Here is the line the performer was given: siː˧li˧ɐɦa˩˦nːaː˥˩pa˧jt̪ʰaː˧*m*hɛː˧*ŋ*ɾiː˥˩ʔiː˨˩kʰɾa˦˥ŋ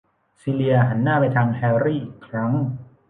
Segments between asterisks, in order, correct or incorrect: incorrect, incorrect

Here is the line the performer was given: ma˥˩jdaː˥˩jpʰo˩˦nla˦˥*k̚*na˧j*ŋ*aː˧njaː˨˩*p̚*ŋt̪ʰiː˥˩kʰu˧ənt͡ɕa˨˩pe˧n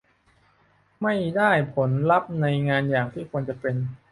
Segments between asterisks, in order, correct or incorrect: incorrect, correct, incorrect

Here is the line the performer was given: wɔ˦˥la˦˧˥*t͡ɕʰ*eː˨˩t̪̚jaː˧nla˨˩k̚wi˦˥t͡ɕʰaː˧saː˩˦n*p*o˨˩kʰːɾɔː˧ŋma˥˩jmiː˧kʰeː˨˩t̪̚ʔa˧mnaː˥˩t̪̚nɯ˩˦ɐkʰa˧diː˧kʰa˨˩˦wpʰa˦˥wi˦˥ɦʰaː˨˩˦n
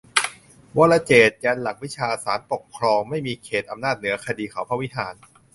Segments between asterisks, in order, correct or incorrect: incorrect, correct

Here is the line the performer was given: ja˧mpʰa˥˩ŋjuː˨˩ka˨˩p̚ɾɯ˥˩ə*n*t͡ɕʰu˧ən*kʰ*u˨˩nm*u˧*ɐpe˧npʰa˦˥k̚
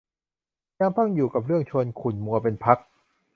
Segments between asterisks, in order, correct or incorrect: incorrect, correct, correct

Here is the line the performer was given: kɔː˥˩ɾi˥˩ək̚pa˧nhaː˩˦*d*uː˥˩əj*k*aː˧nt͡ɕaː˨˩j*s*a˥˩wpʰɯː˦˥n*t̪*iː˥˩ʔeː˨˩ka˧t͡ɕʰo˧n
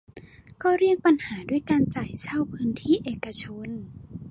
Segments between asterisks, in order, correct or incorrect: correct, correct, correct, incorrect

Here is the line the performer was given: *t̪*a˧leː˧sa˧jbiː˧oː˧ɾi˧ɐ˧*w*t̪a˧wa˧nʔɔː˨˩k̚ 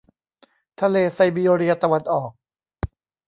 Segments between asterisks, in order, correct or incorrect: incorrect, incorrect

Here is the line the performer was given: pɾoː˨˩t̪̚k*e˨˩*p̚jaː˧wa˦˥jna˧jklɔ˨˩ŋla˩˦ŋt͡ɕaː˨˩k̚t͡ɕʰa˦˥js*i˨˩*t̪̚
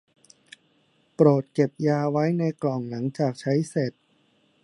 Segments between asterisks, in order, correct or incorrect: correct, incorrect

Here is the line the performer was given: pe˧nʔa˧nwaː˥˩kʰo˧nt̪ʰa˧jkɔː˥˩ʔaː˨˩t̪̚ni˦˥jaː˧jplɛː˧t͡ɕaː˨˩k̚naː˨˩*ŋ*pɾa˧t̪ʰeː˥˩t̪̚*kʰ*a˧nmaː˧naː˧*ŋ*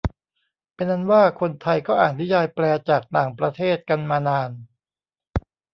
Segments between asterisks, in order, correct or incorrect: correct, incorrect, incorrect

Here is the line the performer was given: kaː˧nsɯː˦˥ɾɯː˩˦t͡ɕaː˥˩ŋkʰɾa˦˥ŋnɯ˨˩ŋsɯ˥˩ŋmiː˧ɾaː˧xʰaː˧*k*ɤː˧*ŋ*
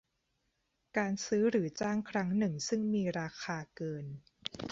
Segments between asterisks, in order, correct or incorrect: correct, incorrect

